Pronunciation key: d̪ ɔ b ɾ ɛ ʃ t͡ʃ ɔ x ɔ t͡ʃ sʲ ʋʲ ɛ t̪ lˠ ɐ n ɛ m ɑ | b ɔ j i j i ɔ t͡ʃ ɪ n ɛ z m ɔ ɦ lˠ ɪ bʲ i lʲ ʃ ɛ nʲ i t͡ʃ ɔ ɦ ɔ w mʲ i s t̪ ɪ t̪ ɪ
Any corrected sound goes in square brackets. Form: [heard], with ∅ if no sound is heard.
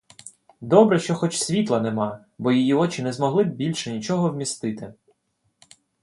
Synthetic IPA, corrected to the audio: d̪ ɔ b ɾ ɛ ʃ t͡ʃ ɔ x ɔ t͡ʃ sʲ ʋʲ [i] t̪ lˠ ɐ n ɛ m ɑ | b ɔ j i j i ɔ t͡ʃ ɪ n ɛ z m ɔ ɦ lˠ ɪ bʲ i lʲ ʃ ɛ nʲ i t͡ʃ ɔ ɦ ɔ w mʲ i s t̪ ɪ t̪ ɪ

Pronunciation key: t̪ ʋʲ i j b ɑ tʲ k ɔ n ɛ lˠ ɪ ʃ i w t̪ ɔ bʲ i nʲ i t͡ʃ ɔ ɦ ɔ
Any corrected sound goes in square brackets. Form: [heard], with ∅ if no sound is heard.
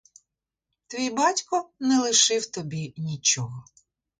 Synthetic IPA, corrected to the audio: t̪ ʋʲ i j b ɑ tʲ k ɔ n ɛ lˠ ɪ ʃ [ɪ] w t̪ ɔ bʲ i nʲ i t͡ʃ ɔ ɦ ɔ

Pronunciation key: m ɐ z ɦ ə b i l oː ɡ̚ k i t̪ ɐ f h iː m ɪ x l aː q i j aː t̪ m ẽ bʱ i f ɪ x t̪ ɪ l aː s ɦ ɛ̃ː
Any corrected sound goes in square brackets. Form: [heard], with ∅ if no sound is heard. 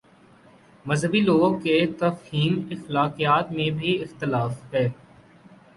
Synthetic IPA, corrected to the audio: m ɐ z ɦ ə b i l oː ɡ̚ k [e] t̪ ɐ f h iː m ɪ x l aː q i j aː t̪ m ẽ bʱ i [∅] ɪ x t̪ ɪ l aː [f] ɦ [ɛː]

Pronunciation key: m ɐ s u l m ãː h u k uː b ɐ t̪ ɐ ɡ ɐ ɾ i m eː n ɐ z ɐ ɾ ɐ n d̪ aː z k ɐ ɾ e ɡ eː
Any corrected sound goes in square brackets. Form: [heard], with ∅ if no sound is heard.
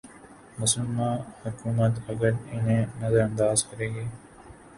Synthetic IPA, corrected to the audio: m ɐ s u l m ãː h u k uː [m] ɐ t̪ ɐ ɡ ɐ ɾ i [n] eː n ɐ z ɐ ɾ ɐ n d̪ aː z k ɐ ɾ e ɡ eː

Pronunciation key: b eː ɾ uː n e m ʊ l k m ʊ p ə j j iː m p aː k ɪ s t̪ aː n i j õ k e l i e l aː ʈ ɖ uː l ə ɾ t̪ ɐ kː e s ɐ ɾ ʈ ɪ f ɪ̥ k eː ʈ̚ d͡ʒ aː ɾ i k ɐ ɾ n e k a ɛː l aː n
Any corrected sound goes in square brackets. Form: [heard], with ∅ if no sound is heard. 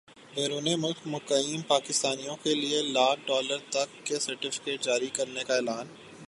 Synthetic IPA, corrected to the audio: b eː ɾ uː n e m ʊ l k m ʊ [k] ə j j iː m p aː k ɪ s t̪ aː n i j õ k e l i e l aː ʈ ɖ [ɔː] l ə ɾ t̪ ɐ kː e s ɐ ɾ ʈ ɪ f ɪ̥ k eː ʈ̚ d͡ʒ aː ɾ i k ɐ ɾ n e k a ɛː l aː n

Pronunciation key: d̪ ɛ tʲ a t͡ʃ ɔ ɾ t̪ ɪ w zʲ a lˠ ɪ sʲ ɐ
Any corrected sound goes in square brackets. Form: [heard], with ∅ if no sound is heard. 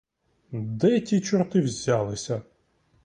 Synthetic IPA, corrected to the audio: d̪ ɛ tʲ [i] t͡ʃ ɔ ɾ t̪ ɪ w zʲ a lˠ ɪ sʲ ɐ

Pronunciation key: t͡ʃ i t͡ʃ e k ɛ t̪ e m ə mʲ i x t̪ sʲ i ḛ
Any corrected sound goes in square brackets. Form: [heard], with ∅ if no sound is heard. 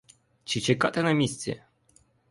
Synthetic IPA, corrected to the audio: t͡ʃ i t͡ʃ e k [a] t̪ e [n] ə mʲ i [s] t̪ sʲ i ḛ

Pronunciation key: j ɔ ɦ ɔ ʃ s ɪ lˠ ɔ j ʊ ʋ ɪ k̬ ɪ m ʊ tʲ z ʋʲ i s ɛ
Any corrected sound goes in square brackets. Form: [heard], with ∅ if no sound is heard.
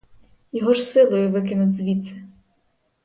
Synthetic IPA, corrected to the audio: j ɔ ɦ ɔ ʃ s ɪ lˠ ɔ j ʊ ʋ ɪ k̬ ɪ [n] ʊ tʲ z ʋʲ i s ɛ

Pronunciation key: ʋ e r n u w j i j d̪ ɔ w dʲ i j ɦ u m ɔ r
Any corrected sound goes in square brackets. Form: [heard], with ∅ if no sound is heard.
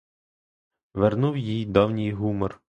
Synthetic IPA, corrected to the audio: ʋ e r n u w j i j d̪ ɔ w [nʲ] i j ɦ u m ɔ r

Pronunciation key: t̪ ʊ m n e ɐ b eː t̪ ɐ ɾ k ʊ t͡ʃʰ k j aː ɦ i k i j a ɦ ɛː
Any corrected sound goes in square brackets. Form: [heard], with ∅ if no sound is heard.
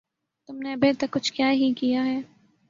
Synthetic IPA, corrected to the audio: t̪ ʊ m n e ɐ b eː t̪ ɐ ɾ k ʊ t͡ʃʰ k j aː ɦ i k i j a ɦ ɛː

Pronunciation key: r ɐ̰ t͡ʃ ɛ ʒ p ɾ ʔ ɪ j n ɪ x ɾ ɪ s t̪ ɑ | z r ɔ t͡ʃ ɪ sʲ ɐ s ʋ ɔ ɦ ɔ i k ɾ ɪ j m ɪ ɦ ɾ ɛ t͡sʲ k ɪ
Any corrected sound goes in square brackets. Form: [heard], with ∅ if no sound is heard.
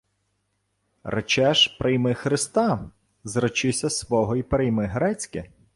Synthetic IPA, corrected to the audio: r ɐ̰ t͡ʃ ɛ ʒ p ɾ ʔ ɪ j [m] ɪ x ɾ ɪ s t̪ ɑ | z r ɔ t͡ʃ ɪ sʲ ɐ s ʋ ɔ ɦ ɔ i [p] ɾ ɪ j m ɪ ɦ ɾ ɛ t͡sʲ k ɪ

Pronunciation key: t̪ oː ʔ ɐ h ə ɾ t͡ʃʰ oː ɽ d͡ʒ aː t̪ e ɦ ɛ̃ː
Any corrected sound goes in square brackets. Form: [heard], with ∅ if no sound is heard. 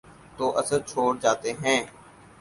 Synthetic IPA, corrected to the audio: t̪ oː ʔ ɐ [s] ə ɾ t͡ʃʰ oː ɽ d͡ʒ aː t̪ e ɦ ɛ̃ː

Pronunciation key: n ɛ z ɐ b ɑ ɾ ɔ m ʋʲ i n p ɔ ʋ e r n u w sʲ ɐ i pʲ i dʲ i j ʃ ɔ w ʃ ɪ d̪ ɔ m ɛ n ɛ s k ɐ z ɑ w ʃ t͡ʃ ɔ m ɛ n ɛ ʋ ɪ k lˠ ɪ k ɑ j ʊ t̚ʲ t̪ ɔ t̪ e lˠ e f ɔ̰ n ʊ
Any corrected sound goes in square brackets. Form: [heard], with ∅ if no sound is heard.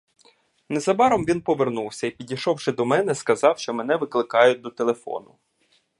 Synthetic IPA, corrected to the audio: n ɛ z ɐ b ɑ ɾ ɔ m ʋʲ i n p ɔ ʋ e r n u w sʲ ɐ i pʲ i dʲ i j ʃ ɔ w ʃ ɪ d̪ ɔ m ɛ n ɛ s k ɐ z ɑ w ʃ t͡ʃ ɔ m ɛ n ɛ ʋ ɪ k lˠ ɪ k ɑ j ʊ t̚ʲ [d̪] ɔ t̪ e lˠ e f ɔ̰ n ʊ

